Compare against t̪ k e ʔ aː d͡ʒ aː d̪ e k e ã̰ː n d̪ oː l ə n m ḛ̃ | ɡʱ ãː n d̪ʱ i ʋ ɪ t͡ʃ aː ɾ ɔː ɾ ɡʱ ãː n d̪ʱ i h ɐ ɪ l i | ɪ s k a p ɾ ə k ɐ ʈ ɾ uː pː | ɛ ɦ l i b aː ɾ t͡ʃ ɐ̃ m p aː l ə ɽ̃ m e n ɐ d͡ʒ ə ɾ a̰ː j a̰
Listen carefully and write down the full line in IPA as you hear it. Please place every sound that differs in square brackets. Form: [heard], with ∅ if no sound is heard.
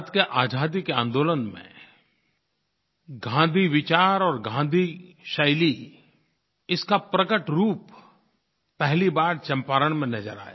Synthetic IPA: t̪ k e ʔ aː d͡ʒ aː d̪ [i] k e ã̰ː n d̪ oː l ə n m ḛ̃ | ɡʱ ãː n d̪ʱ i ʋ ɪ t͡ʃ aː ɾ ɔː ɾ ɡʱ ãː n d̪ʱ i [ʃ] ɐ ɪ l i | ɪ s k a p ɾ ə k [ə] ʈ ɾ uː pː | ɛ ɦ l i b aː ɾ t͡ʃ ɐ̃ m p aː [ɾ] ə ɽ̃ m [ẽ] n ɐ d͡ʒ ə ɾ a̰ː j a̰